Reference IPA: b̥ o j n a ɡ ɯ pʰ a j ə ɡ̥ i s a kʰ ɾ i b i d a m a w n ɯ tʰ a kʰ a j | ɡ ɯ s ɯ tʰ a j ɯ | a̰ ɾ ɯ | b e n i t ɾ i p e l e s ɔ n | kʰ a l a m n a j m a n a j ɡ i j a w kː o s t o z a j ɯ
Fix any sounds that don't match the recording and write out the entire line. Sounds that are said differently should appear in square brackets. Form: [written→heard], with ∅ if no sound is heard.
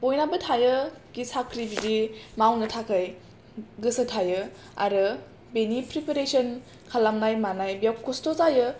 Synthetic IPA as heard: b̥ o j n a [ɡ→b] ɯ [pʰ→tʰ] a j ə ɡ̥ i s a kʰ ɾ i b i d [a→i] m a w n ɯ tʰ a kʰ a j | ɡ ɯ s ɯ tʰ a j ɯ | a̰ ɾ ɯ | b e n i [t→p] ɾ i p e [l→ɾ] e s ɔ n | kʰ a l a m n a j m a n a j [ɡ→b] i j a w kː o s t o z a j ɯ